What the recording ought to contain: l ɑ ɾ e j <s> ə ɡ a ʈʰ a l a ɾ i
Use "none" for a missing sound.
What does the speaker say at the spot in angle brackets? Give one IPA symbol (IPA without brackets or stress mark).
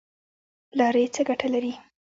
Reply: t͡s